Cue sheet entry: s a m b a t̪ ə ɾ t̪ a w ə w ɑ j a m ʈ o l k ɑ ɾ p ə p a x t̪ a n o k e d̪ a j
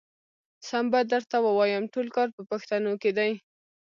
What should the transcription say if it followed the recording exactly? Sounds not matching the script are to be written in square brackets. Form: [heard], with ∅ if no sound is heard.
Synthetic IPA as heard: s a m b a [d̪] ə ɾ t̪ a w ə w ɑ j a m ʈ o l k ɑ ɾ p ə p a x t̪ a n o k e d̪ a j

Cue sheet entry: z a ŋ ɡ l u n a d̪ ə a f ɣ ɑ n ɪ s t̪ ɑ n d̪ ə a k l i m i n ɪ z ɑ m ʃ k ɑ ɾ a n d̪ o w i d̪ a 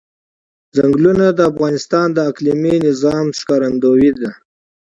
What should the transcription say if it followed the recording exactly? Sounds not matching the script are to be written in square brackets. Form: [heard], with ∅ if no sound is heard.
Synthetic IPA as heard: z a ŋ ɡ l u n a d̪ ə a f ɣ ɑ n ɪ s t̪ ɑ n d̪ ə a k l i m i n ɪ z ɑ m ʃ k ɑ ɾ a n d̪ o w i d̪ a

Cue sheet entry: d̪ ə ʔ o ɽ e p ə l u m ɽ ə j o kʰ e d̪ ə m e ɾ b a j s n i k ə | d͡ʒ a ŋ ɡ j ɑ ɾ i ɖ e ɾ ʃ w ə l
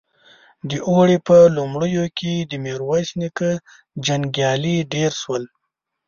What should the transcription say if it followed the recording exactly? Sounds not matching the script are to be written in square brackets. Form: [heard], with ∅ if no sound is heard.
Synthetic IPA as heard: d̪ ə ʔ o ɽ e p ə l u m ɽ ə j o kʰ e d̪ ə m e ɾ [w] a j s n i k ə | d͡ʒ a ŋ ɡ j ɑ [l] i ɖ e ɾ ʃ w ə l

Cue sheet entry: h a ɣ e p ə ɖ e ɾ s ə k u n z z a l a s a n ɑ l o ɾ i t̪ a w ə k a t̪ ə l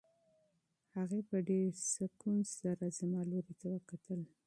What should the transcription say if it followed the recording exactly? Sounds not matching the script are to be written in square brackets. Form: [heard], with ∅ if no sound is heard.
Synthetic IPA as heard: h a ɣ e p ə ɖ e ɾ s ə k u n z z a [ɾ] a [z] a [m] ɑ l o ɾ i t̪ a w ə k a t̪ ə l

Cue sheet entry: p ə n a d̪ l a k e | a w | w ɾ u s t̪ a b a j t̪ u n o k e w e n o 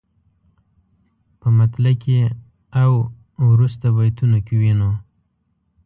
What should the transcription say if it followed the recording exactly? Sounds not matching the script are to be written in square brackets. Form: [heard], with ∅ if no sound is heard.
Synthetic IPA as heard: p ə [m] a [t̪] l a k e | a w | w ɾ u s t̪ a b a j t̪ u n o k e w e n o

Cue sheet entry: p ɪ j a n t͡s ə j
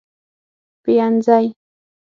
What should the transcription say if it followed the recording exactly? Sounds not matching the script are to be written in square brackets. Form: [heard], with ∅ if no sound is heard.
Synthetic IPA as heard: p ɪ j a n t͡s [a] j

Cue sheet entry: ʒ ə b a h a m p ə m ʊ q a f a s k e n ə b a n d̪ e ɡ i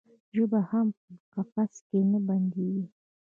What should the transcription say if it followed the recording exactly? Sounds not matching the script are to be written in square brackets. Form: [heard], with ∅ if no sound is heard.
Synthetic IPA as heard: ʒ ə b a h a m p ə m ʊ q a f a s k e n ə b a n d̪ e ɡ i

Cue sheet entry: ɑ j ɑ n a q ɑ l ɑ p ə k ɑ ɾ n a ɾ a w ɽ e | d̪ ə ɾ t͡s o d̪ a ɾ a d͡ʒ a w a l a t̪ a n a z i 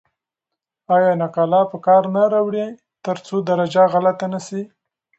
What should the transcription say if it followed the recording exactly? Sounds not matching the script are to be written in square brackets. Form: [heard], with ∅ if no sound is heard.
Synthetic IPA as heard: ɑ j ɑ n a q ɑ l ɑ p ə k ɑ ɾ n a ɾ a w ɽ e | [t̪] ə ɾ t͡s o d̪ a ɾ a d͡ʒ a [ɣ] a l a t̪ a n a [s] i

